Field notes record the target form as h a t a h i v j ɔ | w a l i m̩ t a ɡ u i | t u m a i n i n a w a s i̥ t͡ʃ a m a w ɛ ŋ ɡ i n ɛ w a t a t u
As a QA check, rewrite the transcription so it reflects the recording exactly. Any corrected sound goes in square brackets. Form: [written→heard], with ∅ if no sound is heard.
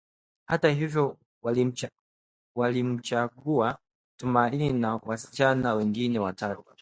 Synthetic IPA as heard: h a t a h i v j ɔ | w a l i m̩ [t→t͡ʃ] a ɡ u [i→a] | t u m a i n i n a w a s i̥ t͡ʃ a [m→n] a w ɛ ŋ ɡ i n ɛ w a t a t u